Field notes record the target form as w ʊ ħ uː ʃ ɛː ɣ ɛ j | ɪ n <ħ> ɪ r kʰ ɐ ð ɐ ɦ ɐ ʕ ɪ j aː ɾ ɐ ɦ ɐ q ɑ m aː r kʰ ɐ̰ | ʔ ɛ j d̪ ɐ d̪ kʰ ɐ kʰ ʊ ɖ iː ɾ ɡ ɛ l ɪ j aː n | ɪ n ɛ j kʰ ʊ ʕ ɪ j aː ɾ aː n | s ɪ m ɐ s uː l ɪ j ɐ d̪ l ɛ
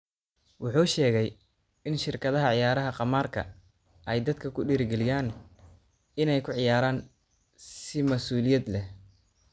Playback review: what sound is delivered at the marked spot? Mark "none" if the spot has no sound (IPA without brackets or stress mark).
ʃ